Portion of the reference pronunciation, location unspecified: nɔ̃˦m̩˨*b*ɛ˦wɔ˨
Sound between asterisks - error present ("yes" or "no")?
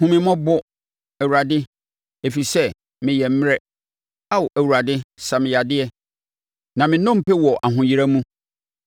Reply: yes